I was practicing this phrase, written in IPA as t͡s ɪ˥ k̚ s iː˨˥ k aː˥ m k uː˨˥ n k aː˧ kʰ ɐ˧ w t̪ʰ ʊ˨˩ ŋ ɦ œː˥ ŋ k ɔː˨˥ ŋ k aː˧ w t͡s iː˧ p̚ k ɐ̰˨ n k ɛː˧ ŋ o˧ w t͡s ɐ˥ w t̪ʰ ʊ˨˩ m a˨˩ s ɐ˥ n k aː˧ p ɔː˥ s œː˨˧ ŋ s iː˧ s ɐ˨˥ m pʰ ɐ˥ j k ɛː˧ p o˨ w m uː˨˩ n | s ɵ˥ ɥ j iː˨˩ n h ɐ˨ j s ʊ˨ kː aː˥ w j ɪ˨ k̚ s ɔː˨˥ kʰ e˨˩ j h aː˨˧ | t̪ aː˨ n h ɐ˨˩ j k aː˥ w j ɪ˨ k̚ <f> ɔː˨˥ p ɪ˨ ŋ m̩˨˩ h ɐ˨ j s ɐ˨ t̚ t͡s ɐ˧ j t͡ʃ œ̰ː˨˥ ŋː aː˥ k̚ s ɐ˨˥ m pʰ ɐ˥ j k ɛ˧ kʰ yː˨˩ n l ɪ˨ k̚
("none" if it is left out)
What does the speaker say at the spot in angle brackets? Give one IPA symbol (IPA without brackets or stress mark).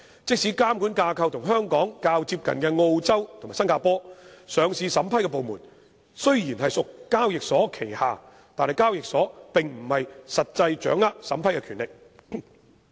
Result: s